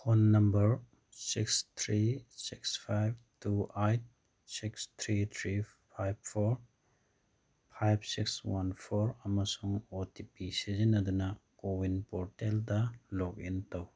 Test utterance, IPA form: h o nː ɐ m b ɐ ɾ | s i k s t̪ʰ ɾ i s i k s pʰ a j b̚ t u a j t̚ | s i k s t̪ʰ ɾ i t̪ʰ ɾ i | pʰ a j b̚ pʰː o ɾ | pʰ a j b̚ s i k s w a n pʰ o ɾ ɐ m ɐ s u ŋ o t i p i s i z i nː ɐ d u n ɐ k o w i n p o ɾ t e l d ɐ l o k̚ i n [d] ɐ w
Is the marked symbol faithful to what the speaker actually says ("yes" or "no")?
no